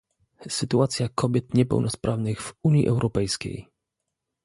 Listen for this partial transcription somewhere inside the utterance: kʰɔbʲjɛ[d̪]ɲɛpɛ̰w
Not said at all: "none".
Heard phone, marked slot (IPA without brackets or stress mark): t̪